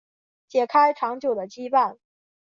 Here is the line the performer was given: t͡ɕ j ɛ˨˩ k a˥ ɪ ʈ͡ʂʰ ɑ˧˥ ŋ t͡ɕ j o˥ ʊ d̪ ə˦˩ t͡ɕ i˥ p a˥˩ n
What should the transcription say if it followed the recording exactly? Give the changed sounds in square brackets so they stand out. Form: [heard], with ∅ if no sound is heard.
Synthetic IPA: t͡ɕ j ɛ˨˩ [kʰ] a˥ ɪ ʈ͡ʂʰ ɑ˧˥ ŋ t͡ɕ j [o˨˩] ʊ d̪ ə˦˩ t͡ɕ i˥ p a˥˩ n